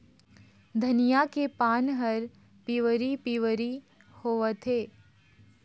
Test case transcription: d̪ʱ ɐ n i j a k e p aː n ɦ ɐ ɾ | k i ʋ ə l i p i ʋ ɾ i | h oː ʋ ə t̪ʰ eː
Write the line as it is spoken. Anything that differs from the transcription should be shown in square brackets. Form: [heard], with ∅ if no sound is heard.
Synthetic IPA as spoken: d̪ʱ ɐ n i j a k e p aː n ɦ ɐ ɾ | [p] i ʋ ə [ɾ] i p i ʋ ɾ i | h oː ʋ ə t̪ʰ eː